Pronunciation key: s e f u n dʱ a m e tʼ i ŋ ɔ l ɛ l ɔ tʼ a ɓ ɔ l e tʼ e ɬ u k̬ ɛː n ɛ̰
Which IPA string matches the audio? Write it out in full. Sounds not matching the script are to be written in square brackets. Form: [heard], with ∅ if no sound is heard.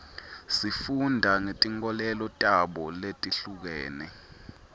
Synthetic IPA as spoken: s [i] f u n dʱ a [ŋ] e tʼ i ŋ ɔ l ɛ l ɔ tʼ a ɓ ɔ l e tʼ [i] ɬ u k̬ ɛː n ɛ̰